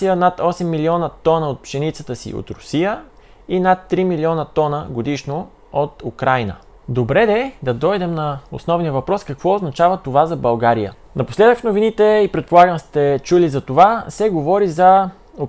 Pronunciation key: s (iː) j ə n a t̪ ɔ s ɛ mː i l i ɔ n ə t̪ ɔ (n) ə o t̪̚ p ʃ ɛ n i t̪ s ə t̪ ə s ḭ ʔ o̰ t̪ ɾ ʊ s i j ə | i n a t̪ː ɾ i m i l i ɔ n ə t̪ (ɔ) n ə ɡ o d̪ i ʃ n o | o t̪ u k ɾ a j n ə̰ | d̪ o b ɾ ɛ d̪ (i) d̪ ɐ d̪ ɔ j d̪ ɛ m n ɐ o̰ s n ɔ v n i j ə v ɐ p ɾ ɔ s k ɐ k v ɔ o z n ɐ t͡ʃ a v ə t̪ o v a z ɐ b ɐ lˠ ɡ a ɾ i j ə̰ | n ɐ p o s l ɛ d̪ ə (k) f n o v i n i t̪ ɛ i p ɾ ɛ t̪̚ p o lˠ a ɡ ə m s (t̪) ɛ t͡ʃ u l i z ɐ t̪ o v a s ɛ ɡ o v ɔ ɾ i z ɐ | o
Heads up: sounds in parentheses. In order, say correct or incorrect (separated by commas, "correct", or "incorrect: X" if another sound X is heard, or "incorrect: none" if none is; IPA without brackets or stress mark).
incorrect: i, correct, correct, incorrect: ɛ, correct, correct